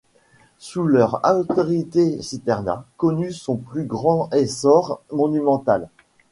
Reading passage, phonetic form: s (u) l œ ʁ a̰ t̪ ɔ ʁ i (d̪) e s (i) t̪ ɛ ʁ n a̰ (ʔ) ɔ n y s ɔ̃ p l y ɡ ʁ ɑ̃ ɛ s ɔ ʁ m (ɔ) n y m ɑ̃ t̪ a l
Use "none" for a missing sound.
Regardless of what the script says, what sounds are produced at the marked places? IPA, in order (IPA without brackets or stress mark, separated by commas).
u, t̪, i, k, ɔ